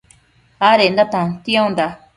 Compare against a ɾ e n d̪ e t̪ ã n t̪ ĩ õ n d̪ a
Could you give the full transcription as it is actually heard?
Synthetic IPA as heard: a ɾ e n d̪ a t̪ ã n t̪ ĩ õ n d̪ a